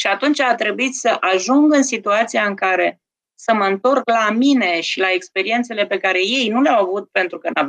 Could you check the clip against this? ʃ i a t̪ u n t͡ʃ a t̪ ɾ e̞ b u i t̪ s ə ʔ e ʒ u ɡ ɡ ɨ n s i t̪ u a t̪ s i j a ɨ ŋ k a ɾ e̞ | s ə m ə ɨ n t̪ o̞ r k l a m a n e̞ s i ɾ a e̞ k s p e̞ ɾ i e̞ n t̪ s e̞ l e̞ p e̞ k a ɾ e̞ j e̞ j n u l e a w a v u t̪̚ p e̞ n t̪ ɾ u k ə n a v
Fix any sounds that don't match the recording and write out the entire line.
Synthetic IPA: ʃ i a t̪ u n t͡ʃ a t̪ ɾ e̞ b u i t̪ s ə ʔ a ʒ u ŋ ɡ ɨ n s i t̪ u a t̪ s i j a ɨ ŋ k a ɾ e̞ | s ə m ə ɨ n t̪ o̞ r k l a m i n e̞ ʃ i l a e̞ k s p e̞ ɾ i e̞ n t̪ s e̞ l e̞ p e̞ k a ɾ e̞ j e̞ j n u l e a w a v u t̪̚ p e̞ n t̪ ɾ u k ə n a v